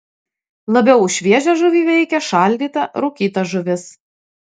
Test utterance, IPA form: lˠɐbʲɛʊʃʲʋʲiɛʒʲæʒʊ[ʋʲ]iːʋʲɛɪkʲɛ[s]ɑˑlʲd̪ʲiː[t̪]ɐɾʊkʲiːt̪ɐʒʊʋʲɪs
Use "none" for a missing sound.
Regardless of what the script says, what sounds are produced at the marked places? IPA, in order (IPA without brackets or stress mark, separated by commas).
ʋʲ, ʃ, t̪